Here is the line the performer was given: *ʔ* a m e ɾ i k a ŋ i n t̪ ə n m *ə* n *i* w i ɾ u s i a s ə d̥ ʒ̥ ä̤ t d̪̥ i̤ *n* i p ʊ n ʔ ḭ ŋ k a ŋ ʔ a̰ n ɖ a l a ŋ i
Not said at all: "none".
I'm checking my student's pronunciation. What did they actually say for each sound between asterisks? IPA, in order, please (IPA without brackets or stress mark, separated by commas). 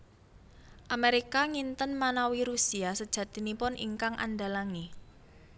ʔ, a, a, n